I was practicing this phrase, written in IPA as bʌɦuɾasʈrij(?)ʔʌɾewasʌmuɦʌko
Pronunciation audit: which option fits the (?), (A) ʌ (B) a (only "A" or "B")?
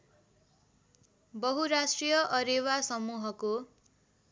A